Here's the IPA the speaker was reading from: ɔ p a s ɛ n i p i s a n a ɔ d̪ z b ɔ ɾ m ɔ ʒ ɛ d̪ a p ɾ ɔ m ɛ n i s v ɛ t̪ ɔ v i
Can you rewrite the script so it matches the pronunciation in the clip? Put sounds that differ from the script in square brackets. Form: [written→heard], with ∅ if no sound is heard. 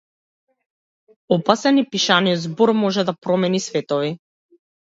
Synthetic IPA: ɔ p a s ɛ n i p i [s→ʃ] a n [a→i] ɔ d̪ z b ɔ ɾ m ɔ ʒ ɛ d̪ a p ɾ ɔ m ɛ n i s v ɛ t̪ ɔ v i